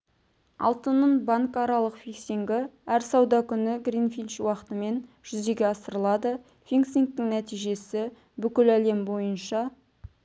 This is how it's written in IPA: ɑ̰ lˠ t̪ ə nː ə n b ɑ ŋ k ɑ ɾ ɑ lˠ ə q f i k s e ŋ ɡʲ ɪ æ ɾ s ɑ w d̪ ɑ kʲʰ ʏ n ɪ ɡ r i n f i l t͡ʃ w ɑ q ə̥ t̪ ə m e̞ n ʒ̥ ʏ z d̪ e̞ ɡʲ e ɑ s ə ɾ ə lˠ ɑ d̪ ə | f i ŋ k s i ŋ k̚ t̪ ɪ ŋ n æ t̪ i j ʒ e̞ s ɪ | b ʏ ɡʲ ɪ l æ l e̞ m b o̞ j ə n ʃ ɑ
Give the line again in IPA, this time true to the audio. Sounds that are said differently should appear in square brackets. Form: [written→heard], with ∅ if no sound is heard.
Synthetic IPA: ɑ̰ lˠ t̪ ə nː ə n b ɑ ŋ k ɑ ɾ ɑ lˠ ə q f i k s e ŋ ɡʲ ɪ æ ɾ s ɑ w d̪ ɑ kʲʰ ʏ n ɪ ɡ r i n f i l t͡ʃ w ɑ q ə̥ t̪ ə m e̞ n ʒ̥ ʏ z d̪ e̞ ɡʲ e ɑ s ə ɾ ə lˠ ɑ d̪ ə | f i ŋ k s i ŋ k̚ t̪ ɪ ŋ n æ t̪ i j ʒ e̞ s ɪ | b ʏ [ɡʲ→kʲ] ɪ l æ l e̞ m b o̞ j ə n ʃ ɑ